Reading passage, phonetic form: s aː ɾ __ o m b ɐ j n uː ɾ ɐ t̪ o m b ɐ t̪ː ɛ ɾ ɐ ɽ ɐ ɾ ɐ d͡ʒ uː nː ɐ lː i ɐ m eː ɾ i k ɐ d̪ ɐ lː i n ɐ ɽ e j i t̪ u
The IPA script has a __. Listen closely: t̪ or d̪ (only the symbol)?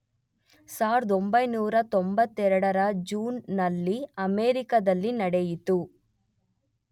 d̪